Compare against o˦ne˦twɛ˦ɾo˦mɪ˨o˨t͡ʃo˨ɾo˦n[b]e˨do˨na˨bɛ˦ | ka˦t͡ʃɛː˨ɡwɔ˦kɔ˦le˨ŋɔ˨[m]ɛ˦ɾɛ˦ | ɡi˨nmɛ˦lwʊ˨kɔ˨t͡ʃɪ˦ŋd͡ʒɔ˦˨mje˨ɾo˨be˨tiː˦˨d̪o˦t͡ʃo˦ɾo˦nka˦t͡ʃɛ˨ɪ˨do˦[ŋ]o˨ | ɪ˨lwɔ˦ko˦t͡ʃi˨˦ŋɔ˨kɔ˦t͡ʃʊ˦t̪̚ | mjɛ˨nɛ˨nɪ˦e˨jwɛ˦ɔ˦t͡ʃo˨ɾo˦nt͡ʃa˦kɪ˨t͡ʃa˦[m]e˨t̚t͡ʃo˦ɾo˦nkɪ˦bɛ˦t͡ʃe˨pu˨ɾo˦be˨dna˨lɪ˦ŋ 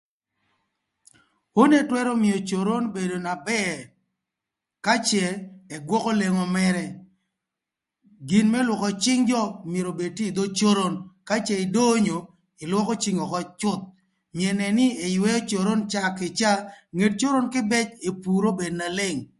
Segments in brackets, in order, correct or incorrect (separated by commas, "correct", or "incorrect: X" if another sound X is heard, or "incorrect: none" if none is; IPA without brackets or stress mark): correct, correct, incorrect: ɲ, incorrect: ŋ